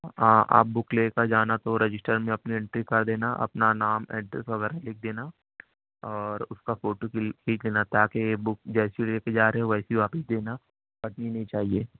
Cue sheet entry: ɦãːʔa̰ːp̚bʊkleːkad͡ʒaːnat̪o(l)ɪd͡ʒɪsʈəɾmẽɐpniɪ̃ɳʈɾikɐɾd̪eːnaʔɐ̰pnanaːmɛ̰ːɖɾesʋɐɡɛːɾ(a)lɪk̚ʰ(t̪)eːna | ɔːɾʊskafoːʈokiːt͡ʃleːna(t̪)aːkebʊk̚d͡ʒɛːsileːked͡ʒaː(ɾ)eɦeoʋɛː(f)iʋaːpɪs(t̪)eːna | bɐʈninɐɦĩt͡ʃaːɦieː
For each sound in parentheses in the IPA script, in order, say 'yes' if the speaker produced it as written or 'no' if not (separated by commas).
no, yes, no, yes, yes, no, no